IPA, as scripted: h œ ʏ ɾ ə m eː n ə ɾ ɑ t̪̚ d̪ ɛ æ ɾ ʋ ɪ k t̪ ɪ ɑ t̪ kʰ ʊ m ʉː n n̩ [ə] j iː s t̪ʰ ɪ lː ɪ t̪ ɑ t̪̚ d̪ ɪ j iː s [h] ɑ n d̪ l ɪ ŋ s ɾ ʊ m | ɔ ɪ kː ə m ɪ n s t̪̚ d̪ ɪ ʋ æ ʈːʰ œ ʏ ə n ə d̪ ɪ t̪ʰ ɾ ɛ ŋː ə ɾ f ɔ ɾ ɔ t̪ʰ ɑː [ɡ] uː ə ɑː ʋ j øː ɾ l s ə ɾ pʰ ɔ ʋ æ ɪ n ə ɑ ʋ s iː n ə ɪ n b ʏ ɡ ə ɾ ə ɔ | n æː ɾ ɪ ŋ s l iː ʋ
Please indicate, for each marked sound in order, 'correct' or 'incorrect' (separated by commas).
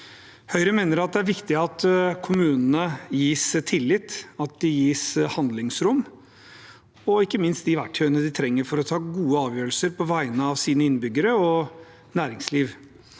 correct, correct, correct